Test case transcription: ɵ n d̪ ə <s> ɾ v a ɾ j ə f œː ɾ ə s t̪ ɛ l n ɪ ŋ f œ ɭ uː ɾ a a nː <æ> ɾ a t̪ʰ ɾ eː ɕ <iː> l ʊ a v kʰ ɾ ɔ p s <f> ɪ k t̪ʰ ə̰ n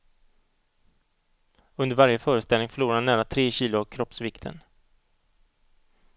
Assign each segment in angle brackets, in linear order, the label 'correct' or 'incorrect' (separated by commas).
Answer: incorrect, incorrect, correct, incorrect